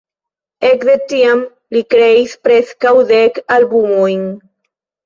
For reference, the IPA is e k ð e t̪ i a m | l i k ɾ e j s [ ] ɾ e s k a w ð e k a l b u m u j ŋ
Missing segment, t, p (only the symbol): p